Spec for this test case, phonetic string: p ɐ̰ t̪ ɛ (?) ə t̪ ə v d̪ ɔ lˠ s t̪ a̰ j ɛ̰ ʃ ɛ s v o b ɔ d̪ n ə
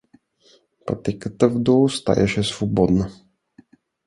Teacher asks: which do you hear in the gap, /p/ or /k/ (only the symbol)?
k